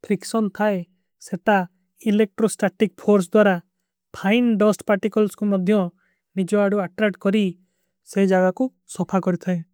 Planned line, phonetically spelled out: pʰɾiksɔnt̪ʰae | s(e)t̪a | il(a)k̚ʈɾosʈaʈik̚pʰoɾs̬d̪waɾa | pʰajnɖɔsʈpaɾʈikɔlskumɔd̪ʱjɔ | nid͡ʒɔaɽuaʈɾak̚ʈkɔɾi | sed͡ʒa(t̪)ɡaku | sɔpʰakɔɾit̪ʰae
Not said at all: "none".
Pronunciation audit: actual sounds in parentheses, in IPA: e, e, none

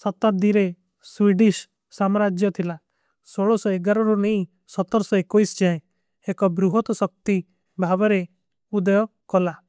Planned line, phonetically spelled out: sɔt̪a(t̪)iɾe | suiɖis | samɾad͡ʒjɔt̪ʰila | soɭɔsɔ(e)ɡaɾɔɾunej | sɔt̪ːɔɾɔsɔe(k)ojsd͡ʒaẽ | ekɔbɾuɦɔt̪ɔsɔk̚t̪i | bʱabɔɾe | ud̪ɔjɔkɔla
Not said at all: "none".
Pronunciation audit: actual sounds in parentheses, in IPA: d̪, e, k

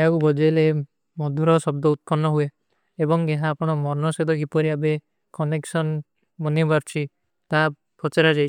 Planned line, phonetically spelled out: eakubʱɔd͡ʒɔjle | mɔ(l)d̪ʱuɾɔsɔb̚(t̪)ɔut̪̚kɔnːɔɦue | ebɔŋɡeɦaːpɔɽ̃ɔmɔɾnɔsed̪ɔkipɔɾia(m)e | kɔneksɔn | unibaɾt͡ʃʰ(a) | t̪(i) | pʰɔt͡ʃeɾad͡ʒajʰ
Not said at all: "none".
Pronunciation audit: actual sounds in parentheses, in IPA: none, d̪, b, i, a

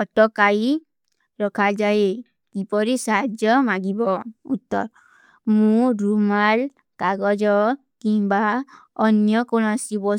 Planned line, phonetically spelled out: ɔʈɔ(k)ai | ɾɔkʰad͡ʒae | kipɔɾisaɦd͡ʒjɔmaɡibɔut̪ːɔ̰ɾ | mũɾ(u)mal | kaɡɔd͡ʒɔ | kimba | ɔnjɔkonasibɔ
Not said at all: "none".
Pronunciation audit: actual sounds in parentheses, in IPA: k, u

